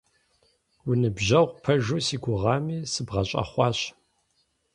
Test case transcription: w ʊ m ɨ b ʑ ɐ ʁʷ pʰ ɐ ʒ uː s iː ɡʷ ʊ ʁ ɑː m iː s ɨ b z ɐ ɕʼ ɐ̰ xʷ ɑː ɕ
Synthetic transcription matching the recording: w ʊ n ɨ b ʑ ɐ ʁʷ pʰ ɐ ʒ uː s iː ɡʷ ʊ ʁ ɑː m iː s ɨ b ʁ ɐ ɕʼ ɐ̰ χʷ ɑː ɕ